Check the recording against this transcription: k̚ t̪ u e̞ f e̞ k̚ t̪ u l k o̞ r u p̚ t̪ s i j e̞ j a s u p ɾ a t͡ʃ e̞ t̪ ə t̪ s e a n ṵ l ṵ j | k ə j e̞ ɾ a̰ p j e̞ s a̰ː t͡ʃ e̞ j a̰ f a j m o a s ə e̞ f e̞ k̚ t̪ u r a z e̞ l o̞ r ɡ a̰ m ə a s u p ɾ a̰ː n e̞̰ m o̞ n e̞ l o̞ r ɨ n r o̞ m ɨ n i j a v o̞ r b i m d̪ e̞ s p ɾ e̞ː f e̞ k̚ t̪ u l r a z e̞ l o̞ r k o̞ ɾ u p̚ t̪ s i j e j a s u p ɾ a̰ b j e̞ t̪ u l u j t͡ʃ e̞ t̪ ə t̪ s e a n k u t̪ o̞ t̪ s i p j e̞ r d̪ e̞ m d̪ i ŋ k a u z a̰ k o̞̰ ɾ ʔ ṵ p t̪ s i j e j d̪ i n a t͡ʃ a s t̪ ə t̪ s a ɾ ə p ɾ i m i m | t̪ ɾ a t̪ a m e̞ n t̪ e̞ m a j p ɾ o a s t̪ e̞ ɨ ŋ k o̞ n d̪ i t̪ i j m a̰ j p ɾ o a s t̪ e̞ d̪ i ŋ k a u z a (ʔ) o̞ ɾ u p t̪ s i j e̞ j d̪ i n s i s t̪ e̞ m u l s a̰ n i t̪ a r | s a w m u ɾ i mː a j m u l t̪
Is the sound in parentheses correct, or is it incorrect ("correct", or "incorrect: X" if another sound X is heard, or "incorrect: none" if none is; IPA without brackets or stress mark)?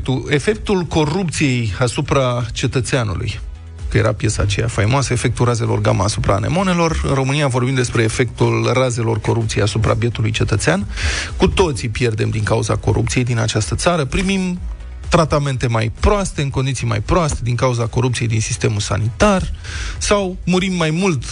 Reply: incorrect: k